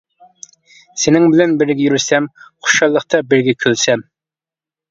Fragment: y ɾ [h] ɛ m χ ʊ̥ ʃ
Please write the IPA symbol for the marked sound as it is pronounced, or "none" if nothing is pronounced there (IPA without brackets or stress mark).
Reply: s